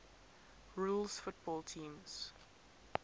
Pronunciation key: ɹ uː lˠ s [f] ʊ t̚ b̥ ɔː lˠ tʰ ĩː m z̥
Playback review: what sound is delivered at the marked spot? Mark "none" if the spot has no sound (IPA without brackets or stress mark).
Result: f